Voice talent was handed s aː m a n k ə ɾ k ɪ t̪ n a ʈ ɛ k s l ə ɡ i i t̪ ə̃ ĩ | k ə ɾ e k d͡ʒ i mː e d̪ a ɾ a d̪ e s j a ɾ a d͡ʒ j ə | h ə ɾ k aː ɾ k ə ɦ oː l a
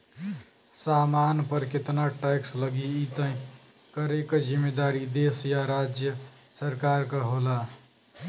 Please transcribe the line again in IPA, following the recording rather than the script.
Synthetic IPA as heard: s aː m a n p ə ɾ k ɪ t̪ n a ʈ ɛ k s l ə ɡ i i t̪ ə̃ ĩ | k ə ɾ e k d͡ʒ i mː e d̪ a ɾ i d̪ e s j a ɾ a d͡ʒ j ə | s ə ɾ k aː ɾ k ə ɦ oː l a